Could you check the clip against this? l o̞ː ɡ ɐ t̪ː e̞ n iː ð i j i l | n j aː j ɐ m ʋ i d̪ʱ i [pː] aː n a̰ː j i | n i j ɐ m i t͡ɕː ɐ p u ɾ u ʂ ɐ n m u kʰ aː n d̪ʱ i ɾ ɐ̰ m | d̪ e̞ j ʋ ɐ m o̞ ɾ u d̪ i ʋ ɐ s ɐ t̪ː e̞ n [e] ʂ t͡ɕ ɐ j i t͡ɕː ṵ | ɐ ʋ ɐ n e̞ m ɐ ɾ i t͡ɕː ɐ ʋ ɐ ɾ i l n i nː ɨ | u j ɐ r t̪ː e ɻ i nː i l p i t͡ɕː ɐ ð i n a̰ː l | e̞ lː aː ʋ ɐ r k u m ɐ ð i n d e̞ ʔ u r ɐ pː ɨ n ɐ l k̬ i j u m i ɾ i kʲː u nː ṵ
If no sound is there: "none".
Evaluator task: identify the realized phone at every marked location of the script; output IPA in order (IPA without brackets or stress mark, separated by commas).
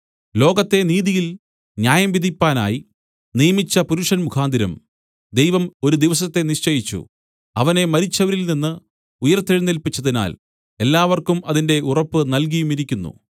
pː, i